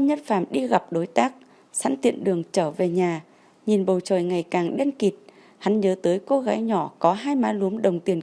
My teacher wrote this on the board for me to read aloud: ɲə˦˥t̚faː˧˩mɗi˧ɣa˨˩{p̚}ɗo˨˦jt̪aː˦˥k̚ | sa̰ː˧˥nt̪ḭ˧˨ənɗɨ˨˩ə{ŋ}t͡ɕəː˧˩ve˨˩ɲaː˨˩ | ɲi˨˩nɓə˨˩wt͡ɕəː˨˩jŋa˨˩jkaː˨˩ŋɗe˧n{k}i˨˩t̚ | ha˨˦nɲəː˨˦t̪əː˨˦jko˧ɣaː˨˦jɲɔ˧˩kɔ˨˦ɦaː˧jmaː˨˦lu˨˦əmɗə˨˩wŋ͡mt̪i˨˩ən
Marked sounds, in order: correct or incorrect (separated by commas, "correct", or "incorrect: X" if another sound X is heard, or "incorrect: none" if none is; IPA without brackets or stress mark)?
correct, correct, correct